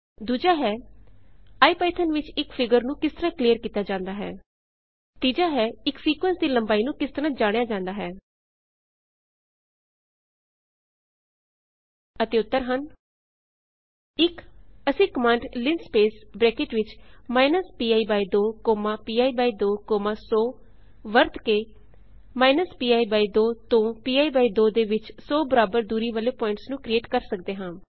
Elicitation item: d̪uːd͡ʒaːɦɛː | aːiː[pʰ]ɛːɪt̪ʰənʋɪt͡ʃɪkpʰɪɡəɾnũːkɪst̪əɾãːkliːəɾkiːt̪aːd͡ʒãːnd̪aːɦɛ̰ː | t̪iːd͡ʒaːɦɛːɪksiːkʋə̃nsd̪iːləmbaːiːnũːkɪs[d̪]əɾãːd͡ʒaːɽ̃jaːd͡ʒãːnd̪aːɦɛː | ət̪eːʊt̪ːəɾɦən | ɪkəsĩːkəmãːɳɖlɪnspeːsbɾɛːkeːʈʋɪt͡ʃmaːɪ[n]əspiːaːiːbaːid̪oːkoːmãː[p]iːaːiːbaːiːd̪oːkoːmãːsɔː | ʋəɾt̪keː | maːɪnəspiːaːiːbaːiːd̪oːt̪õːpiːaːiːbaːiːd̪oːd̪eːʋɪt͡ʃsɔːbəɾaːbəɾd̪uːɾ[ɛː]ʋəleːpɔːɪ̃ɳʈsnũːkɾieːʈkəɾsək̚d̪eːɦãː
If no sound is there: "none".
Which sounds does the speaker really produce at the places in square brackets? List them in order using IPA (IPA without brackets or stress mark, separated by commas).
p, t̪, n, p, iː